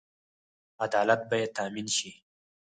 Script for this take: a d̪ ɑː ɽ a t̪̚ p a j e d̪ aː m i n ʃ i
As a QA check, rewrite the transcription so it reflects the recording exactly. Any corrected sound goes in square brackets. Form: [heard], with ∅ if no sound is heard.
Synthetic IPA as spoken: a d̪ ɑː [l] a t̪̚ [b] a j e [t̪] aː m i n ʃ i